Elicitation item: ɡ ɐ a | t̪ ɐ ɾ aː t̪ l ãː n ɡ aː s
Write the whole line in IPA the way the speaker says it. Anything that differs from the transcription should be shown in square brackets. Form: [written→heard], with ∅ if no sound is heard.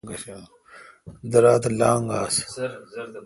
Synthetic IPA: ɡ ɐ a | [t̪→d̪] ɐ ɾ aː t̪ l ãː [n→ŋ] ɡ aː s